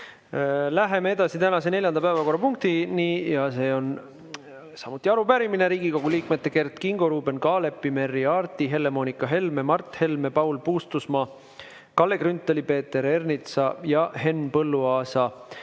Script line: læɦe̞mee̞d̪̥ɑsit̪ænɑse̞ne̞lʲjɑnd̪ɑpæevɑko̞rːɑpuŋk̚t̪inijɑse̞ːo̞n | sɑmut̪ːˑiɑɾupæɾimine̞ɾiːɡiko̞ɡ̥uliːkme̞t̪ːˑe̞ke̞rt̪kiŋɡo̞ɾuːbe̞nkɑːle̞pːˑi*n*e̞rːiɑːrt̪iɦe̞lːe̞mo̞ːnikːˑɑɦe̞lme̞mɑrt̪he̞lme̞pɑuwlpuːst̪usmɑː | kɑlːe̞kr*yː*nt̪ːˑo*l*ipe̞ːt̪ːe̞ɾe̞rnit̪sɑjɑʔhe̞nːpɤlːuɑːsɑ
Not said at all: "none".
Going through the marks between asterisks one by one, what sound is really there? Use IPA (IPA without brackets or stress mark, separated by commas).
m, y, l